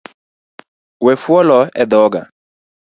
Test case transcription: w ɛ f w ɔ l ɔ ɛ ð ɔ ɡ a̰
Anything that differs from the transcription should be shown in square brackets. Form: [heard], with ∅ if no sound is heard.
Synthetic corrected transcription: w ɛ f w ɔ l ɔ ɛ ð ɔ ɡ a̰